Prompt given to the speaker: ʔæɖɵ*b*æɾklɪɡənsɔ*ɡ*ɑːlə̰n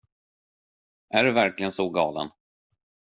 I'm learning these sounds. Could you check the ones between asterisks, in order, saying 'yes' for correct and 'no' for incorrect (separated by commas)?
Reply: no, yes